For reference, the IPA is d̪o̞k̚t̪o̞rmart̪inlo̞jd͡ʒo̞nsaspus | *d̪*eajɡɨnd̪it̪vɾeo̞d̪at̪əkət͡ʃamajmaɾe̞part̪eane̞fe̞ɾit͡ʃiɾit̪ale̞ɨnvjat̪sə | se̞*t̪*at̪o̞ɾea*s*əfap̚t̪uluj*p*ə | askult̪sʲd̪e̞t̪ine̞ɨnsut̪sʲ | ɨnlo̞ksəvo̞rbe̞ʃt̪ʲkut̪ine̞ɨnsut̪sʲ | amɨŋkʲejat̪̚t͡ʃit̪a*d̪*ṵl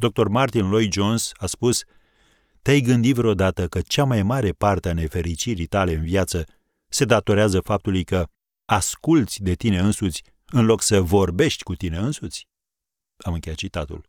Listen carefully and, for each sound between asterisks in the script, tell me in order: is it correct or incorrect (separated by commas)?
incorrect, incorrect, incorrect, incorrect, incorrect